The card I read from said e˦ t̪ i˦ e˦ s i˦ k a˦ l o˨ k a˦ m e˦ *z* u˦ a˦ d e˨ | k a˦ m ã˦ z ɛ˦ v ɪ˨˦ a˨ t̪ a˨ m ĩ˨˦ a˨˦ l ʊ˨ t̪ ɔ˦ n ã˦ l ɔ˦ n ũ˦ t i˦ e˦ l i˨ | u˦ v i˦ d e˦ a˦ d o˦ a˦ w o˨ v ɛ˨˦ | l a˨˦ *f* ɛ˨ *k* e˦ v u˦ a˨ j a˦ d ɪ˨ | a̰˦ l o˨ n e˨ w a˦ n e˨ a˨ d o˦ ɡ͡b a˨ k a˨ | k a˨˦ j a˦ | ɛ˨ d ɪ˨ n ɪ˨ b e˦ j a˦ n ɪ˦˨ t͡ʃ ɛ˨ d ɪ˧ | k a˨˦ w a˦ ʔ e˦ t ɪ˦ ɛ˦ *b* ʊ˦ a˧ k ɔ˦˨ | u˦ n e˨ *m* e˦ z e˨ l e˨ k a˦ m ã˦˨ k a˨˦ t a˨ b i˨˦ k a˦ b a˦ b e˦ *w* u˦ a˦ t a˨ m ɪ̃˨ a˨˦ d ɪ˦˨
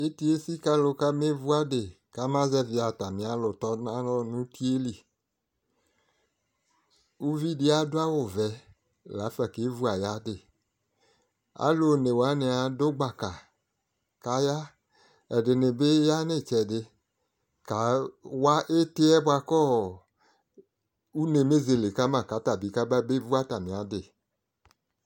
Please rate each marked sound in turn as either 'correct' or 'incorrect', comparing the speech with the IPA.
incorrect: v, correct, correct, correct, correct, incorrect: v

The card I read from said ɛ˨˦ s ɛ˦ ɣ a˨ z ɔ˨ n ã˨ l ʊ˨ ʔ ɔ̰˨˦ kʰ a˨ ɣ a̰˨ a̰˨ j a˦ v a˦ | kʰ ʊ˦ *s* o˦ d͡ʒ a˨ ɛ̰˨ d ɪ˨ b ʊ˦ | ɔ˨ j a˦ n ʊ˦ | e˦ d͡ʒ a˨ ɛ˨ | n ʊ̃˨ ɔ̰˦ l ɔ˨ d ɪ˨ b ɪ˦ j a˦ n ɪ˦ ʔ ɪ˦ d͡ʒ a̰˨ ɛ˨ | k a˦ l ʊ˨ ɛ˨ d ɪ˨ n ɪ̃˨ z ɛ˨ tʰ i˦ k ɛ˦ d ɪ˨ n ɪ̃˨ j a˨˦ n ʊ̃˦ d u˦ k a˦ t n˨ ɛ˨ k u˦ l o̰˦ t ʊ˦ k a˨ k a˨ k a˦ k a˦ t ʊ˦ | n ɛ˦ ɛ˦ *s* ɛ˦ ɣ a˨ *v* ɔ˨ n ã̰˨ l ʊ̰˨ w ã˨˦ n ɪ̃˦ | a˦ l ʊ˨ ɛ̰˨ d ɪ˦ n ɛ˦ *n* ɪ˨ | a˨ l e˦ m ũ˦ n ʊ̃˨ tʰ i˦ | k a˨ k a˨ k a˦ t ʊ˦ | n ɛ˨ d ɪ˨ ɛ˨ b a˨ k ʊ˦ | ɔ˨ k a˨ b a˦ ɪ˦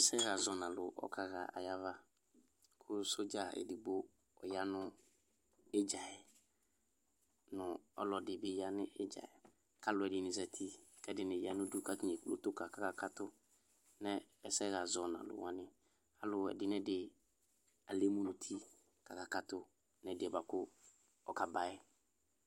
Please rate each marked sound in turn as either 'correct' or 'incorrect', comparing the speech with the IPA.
correct, correct, incorrect: z, incorrect: d

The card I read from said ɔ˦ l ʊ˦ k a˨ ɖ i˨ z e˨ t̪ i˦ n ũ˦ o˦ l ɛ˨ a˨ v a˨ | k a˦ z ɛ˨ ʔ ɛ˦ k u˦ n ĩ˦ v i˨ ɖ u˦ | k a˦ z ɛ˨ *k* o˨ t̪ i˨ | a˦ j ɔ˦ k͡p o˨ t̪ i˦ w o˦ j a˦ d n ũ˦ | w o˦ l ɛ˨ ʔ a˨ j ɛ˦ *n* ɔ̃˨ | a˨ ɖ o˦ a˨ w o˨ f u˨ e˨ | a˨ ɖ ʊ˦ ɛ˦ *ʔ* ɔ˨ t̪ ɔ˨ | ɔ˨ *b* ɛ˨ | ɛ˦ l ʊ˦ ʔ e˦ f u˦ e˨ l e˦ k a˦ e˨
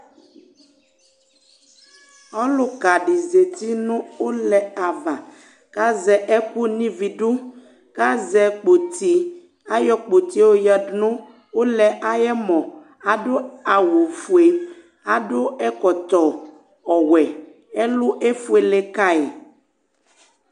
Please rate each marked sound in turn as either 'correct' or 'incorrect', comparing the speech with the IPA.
incorrect: k͡p, incorrect: m, incorrect: k, incorrect: w

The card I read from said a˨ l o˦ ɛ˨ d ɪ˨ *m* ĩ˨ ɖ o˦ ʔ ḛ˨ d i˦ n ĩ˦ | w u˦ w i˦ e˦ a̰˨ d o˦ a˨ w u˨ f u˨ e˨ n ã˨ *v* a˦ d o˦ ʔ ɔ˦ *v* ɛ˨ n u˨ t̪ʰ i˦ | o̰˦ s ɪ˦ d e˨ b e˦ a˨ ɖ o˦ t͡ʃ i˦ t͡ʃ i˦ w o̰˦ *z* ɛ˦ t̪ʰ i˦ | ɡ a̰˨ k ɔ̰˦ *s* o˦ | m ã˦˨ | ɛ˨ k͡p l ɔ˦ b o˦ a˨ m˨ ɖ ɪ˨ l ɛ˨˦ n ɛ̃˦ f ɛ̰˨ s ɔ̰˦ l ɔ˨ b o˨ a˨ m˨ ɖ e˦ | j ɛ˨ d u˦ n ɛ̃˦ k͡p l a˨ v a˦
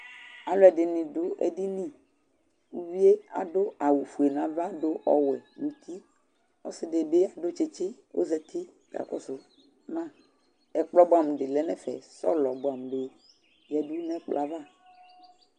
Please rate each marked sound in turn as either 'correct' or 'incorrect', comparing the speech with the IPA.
incorrect: n, correct, incorrect: w, correct, correct

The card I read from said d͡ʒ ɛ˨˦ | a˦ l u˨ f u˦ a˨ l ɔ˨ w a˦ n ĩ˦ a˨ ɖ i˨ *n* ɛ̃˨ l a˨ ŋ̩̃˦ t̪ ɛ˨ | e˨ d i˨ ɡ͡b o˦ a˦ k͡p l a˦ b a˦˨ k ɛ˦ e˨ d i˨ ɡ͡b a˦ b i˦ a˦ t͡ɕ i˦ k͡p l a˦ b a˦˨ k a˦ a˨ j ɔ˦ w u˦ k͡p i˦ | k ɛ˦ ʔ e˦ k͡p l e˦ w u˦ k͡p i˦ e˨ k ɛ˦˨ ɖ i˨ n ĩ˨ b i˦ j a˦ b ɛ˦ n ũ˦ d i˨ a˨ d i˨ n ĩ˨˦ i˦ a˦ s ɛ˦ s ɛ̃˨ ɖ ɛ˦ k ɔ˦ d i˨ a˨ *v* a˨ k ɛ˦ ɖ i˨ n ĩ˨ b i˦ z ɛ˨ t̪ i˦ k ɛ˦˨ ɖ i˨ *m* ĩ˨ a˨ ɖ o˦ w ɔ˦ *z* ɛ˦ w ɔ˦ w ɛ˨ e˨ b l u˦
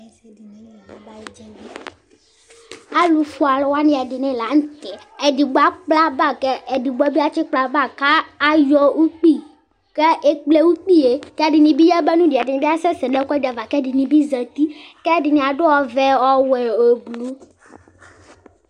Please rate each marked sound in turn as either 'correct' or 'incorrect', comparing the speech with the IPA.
correct, correct, incorrect: n, incorrect: v

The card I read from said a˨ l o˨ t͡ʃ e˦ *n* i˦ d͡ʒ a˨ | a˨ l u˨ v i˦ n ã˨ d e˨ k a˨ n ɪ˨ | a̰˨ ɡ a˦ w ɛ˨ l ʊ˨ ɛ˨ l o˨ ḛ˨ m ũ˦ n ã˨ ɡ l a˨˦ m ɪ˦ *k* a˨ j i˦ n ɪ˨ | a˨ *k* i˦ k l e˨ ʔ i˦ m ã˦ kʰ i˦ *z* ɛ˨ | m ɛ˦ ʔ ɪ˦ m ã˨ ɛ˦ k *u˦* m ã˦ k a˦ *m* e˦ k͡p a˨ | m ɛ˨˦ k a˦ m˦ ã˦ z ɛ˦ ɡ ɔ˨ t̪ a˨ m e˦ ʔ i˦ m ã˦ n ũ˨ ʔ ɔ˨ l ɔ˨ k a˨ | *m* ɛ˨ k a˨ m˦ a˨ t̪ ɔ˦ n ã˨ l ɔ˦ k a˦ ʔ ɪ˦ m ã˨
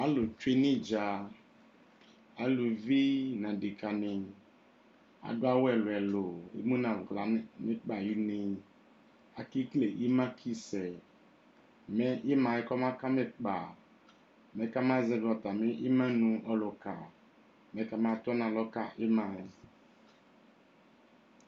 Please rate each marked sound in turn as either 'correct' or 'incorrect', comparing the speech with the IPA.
correct, incorrect: k͡p, correct, incorrect: s, incorrect: ɔ˦, correct, correct

